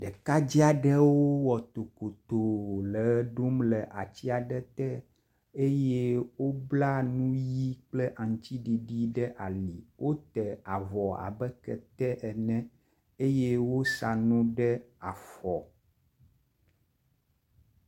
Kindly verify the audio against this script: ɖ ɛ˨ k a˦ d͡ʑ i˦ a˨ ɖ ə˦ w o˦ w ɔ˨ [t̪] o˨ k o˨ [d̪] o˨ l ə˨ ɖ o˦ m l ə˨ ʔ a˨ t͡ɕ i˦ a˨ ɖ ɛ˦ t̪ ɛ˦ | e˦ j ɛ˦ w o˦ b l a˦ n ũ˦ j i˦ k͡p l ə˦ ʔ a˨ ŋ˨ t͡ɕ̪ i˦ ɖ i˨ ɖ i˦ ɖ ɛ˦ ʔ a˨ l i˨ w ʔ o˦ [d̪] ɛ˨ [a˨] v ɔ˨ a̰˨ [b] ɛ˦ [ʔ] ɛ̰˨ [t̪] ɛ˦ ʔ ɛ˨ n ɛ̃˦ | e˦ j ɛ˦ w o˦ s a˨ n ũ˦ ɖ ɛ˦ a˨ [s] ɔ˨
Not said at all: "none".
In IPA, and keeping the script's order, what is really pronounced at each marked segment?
t̪, t̪, t̪, a˨, b, k, t̪, f

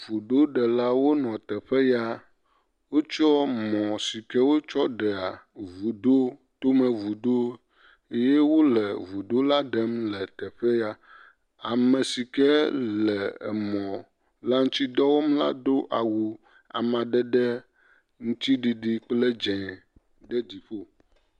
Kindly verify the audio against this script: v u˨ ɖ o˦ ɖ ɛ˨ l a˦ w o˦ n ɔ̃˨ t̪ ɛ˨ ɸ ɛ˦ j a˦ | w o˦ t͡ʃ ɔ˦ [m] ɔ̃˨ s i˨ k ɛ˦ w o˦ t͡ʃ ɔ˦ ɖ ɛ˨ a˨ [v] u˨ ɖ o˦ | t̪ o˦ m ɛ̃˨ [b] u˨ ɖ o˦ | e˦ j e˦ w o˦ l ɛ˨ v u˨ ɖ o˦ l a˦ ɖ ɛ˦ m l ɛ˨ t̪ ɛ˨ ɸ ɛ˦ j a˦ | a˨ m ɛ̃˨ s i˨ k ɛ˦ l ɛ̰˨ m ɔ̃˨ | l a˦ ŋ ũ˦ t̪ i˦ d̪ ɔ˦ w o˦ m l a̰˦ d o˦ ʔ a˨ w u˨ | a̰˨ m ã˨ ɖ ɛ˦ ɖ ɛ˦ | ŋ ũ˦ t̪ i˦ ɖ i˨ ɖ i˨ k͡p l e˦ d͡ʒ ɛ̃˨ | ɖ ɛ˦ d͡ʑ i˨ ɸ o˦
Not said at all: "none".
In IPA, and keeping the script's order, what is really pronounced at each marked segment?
m, v, v

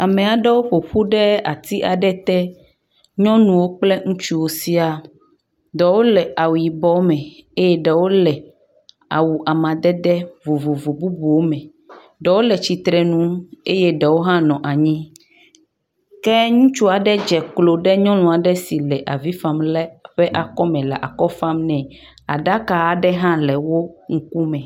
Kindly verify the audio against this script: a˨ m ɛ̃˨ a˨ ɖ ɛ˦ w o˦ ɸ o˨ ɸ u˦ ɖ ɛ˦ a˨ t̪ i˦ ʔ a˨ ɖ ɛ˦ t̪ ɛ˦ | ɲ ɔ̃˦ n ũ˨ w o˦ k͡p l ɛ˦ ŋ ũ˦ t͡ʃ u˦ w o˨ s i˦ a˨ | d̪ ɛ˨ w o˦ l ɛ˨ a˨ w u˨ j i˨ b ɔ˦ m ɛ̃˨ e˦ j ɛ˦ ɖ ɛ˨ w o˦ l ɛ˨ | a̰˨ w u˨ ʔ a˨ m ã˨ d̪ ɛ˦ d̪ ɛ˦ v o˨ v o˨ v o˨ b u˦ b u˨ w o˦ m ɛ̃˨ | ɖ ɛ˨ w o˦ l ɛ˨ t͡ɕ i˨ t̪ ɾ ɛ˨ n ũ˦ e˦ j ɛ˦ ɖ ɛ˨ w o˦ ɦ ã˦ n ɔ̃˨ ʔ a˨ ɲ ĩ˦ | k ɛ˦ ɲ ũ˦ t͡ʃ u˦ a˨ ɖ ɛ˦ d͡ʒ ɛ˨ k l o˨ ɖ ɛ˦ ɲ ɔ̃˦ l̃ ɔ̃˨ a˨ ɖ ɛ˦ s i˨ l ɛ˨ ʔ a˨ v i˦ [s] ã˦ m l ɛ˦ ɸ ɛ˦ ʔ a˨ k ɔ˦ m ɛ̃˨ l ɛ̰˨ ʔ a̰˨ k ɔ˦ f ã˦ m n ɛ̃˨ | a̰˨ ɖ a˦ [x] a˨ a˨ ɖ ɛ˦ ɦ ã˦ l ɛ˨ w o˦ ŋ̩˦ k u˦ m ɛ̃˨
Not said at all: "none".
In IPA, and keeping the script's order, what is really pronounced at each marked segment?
f, k

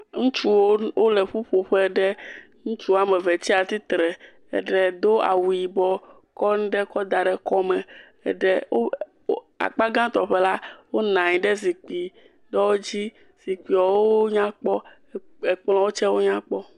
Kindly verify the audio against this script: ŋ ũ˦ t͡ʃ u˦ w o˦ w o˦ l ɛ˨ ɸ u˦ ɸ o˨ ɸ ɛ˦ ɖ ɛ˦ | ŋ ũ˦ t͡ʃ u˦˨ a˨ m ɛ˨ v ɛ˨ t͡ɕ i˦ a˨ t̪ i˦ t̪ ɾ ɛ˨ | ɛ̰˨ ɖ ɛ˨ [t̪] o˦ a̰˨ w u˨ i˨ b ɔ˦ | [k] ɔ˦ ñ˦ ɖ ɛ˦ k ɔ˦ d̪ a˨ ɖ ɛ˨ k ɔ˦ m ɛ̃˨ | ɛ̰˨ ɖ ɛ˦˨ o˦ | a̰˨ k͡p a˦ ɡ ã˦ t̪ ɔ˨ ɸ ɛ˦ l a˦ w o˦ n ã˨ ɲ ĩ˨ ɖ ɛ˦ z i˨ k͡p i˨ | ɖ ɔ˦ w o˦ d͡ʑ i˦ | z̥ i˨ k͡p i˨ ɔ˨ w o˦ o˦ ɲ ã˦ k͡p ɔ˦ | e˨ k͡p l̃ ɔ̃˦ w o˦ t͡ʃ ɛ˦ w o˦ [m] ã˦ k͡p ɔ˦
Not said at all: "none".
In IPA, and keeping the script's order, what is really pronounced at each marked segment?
d̪, k, ɲ

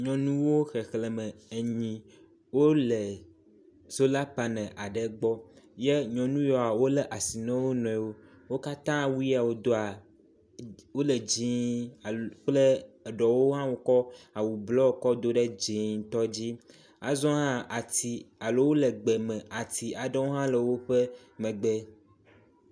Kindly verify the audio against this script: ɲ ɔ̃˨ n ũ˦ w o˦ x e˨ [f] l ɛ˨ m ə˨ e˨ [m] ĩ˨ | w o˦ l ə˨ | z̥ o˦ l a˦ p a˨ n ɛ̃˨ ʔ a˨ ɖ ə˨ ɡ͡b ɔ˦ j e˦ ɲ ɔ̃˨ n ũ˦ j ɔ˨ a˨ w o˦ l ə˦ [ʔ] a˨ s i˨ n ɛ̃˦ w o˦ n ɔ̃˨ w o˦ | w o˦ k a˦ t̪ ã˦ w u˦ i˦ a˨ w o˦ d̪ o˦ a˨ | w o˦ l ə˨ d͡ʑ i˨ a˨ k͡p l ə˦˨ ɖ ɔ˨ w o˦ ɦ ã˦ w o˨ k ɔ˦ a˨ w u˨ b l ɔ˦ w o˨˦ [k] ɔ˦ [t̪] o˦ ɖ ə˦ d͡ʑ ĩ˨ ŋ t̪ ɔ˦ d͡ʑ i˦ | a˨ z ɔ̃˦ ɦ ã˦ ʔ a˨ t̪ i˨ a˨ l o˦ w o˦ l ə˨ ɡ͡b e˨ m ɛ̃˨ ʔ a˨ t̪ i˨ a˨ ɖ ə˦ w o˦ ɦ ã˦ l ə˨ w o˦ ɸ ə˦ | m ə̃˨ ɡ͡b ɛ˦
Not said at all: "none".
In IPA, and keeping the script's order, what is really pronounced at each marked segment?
x, ɲ, ʔ, k, d̪

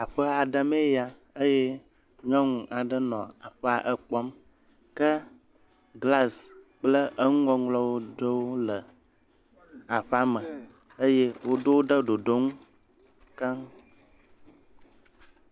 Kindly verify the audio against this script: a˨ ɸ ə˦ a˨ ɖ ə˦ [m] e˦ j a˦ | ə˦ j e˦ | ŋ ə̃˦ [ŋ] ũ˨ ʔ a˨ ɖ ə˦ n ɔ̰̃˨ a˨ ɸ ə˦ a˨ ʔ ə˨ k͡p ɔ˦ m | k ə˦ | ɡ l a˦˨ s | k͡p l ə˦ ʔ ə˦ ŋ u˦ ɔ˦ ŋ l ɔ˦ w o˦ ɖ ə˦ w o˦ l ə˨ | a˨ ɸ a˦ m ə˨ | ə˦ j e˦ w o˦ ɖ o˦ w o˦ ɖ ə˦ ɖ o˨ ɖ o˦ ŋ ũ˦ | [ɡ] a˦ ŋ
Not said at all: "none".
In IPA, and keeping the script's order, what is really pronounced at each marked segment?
m, ŋ, k

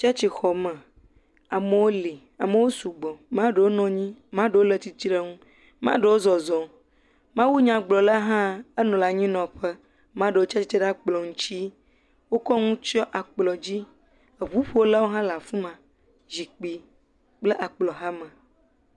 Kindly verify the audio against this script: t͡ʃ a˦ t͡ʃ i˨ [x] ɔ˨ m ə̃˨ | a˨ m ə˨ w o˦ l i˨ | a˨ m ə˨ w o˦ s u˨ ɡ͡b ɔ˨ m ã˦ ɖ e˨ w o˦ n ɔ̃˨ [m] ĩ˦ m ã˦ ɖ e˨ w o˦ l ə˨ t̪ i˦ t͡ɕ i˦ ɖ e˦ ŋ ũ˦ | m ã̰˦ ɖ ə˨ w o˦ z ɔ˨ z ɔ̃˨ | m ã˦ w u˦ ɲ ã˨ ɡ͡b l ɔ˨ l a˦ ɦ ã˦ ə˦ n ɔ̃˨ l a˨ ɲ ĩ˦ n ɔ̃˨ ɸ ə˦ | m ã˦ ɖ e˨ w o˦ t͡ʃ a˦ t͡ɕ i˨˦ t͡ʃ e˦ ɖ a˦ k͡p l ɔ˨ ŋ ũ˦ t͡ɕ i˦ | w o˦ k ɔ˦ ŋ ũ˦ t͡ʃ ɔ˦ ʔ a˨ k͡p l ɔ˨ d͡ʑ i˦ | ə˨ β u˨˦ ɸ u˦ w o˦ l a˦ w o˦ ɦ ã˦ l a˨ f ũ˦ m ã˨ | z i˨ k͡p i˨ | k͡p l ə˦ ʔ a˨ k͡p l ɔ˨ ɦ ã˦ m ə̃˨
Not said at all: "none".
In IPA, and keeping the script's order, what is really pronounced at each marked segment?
x, ɲ

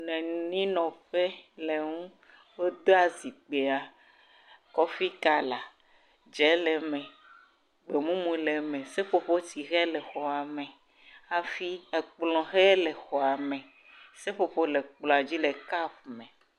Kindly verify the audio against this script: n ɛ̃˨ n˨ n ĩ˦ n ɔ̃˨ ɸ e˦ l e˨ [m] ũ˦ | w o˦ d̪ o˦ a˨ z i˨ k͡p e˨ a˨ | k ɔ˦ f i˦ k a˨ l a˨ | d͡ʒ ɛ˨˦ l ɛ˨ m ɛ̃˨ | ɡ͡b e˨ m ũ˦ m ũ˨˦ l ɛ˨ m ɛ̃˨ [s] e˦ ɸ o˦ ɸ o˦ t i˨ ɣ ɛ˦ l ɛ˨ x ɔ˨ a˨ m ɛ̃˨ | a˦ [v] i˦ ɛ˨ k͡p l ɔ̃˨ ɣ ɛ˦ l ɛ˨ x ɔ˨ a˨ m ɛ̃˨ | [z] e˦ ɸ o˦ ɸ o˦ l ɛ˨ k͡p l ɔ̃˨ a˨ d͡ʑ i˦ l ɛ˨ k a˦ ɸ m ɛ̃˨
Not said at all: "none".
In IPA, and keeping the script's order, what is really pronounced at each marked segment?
ŋ, s, f, s

